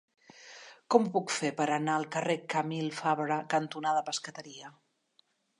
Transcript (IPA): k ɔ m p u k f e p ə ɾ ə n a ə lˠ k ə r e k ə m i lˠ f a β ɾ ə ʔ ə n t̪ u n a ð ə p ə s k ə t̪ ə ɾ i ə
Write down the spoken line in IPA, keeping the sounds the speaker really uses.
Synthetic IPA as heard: k ɔ m p u k f e p ə ɾ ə n a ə lˠ k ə r e k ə m i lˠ f a β ɾ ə k ə n t̪ u n a ð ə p ə s k ə t̪ ə ɾ i ə

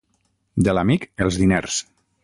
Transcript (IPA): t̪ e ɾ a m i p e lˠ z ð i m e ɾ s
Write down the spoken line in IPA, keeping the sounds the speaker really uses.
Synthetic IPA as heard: d̪ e l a m i k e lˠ z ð i n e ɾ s

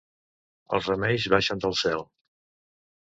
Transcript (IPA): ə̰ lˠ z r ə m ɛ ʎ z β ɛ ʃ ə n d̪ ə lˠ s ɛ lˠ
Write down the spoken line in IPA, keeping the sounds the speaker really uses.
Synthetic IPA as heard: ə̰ lˠ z r ə m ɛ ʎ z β a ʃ ə n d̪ ə lˠ s ɛ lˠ

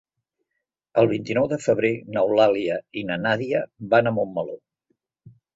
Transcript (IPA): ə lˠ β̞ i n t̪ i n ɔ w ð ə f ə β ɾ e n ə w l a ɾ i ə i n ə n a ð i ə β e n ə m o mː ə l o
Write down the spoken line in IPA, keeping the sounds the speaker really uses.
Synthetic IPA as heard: ə lˠ β̞ i n t̪ i n ɔ w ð ə f ə β ɾ e n ə w l a l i ə i n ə n a ð i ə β a n ə m o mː ə l o

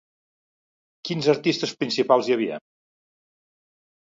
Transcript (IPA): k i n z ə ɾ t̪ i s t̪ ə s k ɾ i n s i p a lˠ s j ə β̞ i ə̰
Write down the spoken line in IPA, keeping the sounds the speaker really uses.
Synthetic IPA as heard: k i n z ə ɾ t̪ i s t̪ ə s p ɾ i n s i p a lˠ z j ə β̞ i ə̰

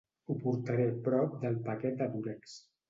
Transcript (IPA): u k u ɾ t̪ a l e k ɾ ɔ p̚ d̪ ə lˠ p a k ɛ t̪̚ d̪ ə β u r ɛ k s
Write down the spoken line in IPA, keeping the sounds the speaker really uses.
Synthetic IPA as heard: u p u ɾ t̪ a ɾ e p ɾ ɔ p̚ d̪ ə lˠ p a k ɛ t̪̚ d̪ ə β u ɾ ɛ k s

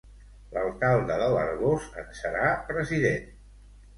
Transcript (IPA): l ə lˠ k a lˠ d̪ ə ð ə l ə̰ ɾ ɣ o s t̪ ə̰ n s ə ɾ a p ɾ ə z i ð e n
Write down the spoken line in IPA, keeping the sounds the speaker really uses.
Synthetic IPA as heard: l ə lˠ k a lˠ d̪ ə ð ə l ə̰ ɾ ɣ o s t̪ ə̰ n s ə ɾ a p ɾ ə z i ð e n

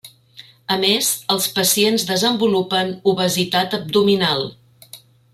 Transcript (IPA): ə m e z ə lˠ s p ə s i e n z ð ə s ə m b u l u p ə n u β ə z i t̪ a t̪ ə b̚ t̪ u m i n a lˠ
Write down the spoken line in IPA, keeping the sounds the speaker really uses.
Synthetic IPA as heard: ə m e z ə lˠ s p ə s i e n z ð ə z ə m b u l u p ə n u β ə z i t̪ a t̪ ə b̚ d̪ u m i n a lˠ

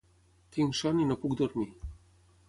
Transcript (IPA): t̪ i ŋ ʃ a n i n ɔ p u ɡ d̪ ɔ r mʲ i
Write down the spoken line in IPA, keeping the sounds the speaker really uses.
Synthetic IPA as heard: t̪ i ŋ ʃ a n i n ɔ p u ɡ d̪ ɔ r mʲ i

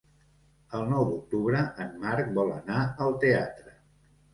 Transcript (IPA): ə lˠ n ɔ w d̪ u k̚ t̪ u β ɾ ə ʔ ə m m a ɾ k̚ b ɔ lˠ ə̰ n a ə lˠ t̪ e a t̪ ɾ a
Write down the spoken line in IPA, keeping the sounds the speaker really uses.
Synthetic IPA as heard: ə lˠ n ɔ w d̪ u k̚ t̪ u β ɾ ə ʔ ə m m a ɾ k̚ b ɔ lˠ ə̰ n a ə lˠ t̪ e a t̪ ɾ ə

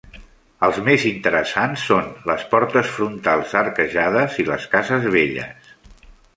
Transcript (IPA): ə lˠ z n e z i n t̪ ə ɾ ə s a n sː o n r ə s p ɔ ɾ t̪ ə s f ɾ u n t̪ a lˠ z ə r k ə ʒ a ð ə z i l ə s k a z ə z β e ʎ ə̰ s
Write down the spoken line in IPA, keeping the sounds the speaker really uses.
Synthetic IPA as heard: ə lˠ z m e z i n t̪ ə ɾ ə s a n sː o n l ə s p ɔ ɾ t̪ ə s f ɾ u n t̪ a lˠ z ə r k ə ʒ a ð ə z i l ə s k a z ə z β e ʎ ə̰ s

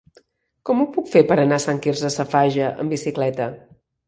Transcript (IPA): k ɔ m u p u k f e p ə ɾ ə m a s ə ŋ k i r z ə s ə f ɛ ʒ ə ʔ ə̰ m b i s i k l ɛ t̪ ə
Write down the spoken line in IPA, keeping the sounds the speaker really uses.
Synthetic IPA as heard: k ɔ m u p u k f e p ə ɾ ə n a s a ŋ k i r z ə s ə f a ʒ ə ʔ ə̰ m b i s i k l ɛ t̪ ə

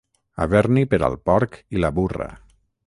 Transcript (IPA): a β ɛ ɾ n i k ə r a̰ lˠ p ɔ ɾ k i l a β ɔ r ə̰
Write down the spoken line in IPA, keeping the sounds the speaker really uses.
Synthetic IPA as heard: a β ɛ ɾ n i p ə ɾ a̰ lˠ p ɔ ɾ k i l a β u r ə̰

